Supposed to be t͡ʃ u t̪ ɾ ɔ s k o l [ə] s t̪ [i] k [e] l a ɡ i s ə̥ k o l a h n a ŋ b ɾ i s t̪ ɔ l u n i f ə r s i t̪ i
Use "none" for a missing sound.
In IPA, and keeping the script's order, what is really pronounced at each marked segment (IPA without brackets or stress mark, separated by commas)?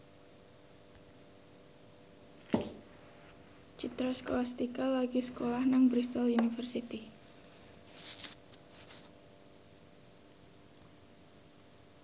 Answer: a, i, a